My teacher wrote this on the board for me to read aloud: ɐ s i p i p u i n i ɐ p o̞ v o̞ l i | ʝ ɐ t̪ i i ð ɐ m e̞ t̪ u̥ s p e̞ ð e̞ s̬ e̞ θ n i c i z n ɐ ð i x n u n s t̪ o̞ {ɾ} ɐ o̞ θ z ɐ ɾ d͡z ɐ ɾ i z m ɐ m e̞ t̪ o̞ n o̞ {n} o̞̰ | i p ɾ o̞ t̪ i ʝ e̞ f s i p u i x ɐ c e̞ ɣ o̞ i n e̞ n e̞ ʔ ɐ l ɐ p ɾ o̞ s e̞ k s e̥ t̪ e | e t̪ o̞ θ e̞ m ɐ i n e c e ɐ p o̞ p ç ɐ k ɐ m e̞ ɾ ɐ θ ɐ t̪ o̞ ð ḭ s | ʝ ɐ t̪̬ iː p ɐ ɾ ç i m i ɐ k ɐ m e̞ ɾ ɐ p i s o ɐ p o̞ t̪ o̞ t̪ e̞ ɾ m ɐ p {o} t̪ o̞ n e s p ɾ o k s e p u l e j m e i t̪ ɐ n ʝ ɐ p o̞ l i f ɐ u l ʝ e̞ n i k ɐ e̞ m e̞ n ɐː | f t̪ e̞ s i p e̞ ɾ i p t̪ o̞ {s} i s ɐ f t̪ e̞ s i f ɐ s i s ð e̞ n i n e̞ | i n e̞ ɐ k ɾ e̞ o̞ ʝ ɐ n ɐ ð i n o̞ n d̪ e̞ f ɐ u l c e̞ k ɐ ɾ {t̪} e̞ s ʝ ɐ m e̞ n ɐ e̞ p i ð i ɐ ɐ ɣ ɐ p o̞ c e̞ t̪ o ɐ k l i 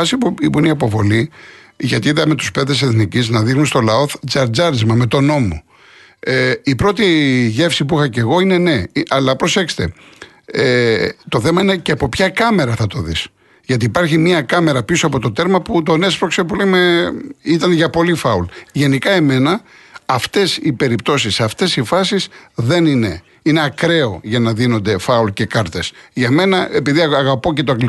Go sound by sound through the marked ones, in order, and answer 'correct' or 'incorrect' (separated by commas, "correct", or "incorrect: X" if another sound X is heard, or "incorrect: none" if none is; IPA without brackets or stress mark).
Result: incorrect: l, incorrect: m, incorrect: u, correct, correct